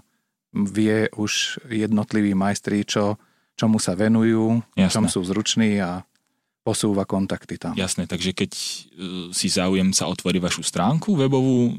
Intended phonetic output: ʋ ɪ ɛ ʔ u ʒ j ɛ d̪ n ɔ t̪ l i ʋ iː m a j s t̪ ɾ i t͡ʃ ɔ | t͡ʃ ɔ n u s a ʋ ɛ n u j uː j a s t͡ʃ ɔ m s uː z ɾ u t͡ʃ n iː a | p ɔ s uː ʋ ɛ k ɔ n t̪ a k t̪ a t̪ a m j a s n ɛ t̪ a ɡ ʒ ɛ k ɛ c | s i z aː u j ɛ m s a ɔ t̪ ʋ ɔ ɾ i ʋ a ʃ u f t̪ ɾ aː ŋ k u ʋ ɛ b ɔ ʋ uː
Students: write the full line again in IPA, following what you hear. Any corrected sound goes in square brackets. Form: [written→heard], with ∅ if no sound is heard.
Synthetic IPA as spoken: ʋ ɪ ɛ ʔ u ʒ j ɛ d̪ n ɔ t̪ l i ʋ iː m a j s t̪ ɾ i t͡ʃ ɔ | t͡ʃ ɔ [n→m] u s a ʋ ɛ n u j uː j a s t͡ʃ ɔ m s uː z ɾ u t͡ʃ n iː a | p ɔ s uː ʋ [ɛ→a] k ɔ n t̪ a k t̪ [a→i] t̪ a m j a s n ɛ t̪ a ɡ ʒ ɛ k ɛ c | s i z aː u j ɛ m s a ɔ t̪ ʋ ɔ ɾ i ʋ a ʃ u [f→s] t̪ ɾ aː ŋ k u ʋ ɛ b ɔ ʋ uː